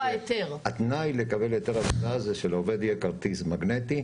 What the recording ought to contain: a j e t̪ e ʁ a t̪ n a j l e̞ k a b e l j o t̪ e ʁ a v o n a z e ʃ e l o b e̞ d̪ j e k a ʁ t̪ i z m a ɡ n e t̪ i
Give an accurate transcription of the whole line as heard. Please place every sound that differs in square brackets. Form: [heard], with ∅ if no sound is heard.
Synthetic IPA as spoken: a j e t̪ e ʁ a t̪ n a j l e̞ k a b e l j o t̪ e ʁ a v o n a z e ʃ e l o [v] e̞ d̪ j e k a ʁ t̪ i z m a ɡ n e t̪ i